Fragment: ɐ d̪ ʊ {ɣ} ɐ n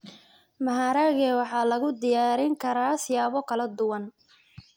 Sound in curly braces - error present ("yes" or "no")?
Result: yes